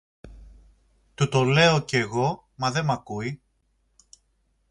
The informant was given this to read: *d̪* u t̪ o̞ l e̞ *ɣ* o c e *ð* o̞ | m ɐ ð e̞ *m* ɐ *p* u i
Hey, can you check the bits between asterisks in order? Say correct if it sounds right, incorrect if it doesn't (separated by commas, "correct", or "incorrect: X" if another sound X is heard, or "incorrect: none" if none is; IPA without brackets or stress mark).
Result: incorrect: t̪, incorrect: none, incorrect: ɣ, correct, incorrect: k